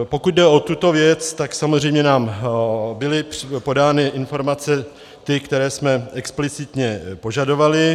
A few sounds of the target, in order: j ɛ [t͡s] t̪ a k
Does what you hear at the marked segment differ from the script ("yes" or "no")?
no